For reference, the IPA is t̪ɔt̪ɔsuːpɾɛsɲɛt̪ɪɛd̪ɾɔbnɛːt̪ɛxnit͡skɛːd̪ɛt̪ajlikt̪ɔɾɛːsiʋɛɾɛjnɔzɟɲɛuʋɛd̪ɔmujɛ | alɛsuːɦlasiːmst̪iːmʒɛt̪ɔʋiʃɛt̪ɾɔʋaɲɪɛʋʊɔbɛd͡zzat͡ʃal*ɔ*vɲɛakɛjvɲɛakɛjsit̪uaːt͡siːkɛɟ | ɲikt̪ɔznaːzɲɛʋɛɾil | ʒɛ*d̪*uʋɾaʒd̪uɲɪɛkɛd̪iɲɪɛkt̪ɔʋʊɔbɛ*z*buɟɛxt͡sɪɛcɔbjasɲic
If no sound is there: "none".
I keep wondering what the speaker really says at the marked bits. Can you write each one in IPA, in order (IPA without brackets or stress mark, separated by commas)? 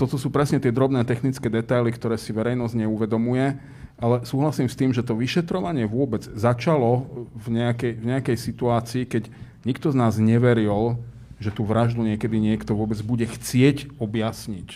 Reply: ɔ, t̪, d͡z